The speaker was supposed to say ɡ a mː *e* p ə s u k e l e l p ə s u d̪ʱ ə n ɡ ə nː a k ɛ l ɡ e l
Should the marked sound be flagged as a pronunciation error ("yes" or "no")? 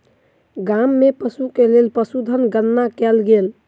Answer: no